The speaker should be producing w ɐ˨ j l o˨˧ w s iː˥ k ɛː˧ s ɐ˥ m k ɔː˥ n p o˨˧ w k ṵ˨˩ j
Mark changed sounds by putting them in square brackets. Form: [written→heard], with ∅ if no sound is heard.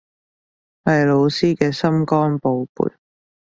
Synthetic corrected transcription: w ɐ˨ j l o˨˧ w s iː˥ k ɛː˧ s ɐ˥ m k ɔː˥ n p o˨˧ w [k→p] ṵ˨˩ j